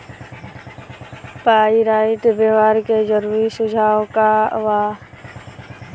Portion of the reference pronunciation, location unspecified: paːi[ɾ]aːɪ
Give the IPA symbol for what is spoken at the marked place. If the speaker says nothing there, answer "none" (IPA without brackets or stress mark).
ɾ